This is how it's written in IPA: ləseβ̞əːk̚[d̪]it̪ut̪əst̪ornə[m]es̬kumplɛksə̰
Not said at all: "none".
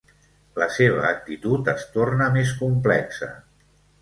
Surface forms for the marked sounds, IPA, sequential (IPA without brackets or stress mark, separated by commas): t̪, m